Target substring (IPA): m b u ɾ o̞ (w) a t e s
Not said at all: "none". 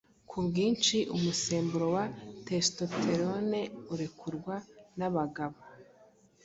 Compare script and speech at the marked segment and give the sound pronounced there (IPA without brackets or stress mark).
w